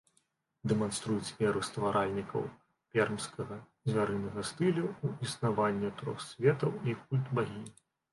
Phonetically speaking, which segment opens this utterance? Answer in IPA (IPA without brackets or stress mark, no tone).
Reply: d̪